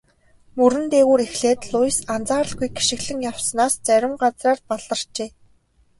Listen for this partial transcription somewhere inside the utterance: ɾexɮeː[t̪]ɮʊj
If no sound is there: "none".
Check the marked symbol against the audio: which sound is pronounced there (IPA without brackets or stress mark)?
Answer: t̪